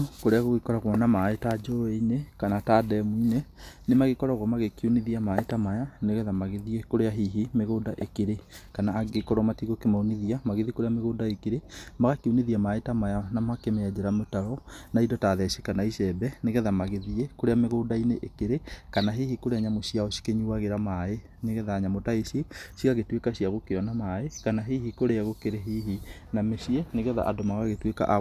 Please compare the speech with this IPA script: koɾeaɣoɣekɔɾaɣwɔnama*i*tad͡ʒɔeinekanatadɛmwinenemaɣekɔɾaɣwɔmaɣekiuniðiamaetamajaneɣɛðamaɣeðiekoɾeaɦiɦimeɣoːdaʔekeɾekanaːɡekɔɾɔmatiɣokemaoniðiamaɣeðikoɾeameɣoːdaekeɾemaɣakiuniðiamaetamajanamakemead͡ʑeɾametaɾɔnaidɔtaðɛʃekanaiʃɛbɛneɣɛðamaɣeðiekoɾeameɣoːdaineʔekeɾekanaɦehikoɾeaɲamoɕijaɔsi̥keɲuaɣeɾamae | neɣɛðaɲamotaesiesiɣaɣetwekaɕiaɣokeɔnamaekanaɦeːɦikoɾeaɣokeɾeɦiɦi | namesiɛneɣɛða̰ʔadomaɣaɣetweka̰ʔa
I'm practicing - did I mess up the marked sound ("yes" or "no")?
yes